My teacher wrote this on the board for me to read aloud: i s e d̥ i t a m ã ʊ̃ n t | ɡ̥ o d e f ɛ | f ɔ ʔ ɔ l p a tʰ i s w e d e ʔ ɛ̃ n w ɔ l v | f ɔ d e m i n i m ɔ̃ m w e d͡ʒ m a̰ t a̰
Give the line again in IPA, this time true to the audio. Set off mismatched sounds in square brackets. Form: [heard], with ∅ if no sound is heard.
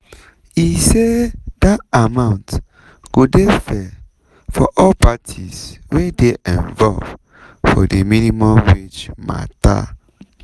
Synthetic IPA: i s e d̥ [a] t a m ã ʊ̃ n t | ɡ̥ o d e f ɛ | f ɔ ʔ ɔ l p a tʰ i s w e d e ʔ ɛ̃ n [v] ɔ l v | f ɔ d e m i n i m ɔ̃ m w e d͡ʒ m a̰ t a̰